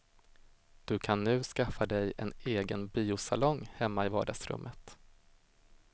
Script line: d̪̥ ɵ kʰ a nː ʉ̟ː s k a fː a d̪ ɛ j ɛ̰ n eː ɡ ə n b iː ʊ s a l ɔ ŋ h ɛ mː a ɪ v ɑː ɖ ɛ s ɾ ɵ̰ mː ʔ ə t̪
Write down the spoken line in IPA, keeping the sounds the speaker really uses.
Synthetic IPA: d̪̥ ɵ kʰ a nː ʉ̟ː s k a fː a d̪ ɛ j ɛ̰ n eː ɡ ə n b iː ʊ s a l ɔ ŋ h ɛ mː a ɪ v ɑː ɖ a s ɾ ɵ̰ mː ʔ ə t̪